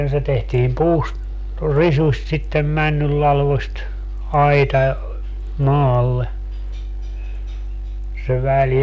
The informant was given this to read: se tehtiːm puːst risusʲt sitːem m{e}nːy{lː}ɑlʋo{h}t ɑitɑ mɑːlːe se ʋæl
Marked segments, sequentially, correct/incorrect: incorrect: æ, correct, incorrect: s

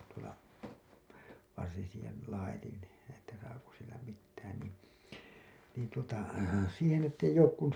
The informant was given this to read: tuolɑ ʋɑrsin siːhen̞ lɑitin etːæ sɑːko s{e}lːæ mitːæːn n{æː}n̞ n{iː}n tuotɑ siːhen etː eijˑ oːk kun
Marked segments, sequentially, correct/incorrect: incorrect: i, incorrect: iː, correct

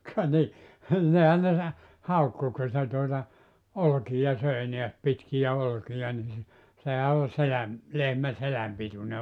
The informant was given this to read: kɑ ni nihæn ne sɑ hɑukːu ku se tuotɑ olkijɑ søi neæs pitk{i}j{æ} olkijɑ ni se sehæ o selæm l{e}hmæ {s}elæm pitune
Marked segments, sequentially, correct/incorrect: correct, correct, correct, correct

